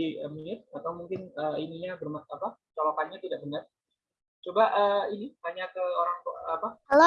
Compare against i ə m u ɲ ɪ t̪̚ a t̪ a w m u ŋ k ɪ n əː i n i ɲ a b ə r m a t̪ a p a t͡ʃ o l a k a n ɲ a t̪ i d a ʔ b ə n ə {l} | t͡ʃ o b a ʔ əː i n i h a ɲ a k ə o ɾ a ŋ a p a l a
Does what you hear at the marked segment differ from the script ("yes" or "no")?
yes